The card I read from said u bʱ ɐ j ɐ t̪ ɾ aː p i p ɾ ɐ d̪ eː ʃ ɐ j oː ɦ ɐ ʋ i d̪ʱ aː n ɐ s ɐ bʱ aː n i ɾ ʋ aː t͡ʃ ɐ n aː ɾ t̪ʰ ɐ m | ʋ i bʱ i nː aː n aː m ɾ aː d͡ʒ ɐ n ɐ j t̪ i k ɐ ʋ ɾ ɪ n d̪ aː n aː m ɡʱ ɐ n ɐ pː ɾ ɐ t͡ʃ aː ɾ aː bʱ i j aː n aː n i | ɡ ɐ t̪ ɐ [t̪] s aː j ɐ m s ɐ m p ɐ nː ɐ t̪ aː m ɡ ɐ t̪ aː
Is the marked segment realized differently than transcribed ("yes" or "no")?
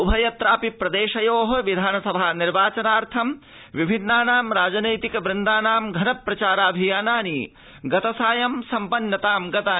yes